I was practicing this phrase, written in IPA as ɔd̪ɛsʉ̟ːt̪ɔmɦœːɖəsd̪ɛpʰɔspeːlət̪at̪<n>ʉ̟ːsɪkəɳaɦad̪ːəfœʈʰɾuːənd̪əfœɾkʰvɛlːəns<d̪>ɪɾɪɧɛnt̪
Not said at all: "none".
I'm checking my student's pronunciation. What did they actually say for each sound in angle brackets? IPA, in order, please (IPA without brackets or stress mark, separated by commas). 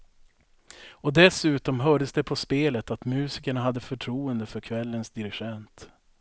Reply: m, d̪